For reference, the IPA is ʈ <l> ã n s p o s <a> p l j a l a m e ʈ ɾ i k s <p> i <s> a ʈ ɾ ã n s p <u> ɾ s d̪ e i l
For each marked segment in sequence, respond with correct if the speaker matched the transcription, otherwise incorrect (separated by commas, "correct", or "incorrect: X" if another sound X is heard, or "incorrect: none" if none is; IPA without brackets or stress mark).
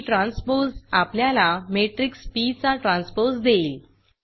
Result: incorrect: ɾ, correct, correct, incorrect: t͡s, incorrect: o